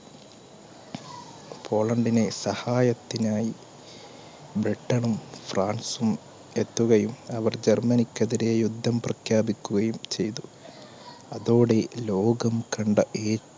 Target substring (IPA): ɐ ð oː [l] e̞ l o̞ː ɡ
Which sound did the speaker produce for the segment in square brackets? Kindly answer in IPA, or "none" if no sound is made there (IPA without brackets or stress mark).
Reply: ɽ